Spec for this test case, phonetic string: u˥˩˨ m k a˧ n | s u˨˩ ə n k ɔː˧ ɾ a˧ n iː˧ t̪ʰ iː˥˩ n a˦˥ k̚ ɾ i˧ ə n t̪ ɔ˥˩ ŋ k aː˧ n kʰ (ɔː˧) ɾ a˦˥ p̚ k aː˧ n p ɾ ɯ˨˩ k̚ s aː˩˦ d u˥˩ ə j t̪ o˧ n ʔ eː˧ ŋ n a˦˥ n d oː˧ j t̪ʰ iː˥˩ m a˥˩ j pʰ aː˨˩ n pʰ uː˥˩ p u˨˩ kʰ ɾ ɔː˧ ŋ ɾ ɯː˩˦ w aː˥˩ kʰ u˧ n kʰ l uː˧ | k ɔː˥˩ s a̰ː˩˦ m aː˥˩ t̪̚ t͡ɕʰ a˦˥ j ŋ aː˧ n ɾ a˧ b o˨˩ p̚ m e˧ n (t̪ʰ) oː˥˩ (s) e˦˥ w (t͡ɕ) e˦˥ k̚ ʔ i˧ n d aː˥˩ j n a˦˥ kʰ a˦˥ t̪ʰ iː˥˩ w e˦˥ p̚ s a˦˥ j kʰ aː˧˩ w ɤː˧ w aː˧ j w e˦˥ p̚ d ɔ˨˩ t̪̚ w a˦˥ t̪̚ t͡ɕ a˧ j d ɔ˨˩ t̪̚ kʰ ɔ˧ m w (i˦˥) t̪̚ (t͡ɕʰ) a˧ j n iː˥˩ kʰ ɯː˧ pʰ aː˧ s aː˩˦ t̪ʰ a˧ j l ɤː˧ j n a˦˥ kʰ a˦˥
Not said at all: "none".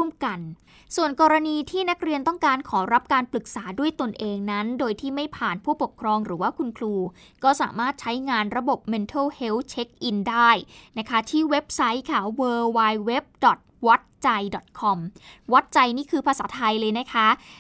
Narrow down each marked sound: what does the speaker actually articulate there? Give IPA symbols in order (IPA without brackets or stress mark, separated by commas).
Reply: ɔː˩˦, t̪ʰ, h, t͡ɕʰ, a˦˥, t͡ɕ